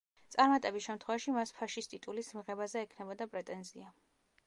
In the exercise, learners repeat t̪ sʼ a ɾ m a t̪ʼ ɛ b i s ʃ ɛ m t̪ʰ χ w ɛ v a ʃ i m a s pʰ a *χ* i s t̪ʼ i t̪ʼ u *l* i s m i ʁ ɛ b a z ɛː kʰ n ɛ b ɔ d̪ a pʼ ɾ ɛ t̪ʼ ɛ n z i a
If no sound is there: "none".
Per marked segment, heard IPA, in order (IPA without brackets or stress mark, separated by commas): ʃ, l